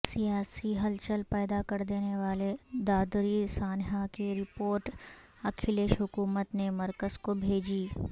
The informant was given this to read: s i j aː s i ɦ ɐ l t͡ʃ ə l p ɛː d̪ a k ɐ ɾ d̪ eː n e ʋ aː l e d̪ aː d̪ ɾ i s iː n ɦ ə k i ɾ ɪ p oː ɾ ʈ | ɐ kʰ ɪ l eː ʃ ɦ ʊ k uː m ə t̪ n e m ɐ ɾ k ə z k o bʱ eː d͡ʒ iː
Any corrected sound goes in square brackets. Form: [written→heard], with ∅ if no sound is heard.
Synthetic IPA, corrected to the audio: s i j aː s i ɦ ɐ l t͡ʃ ə l p ɛː d̪ a k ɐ ɾ d̪ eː n e ʋ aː l e d̪ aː d̪ ɾ i s [iː→aː] n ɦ [ə→a] k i ɾ ɪ p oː ɾ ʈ | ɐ kʰ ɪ l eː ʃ ɦ ʊ k uː m ə t̪ n e m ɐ ɾ k ə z k o bʱ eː d͡ʒ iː